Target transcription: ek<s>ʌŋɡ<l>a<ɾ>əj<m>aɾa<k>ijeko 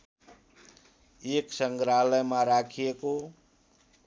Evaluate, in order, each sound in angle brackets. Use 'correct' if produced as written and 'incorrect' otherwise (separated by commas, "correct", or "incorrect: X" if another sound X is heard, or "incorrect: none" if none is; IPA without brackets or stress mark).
correct, incorrect: ɾ, incorrect: l, correct, incorrect: kʰ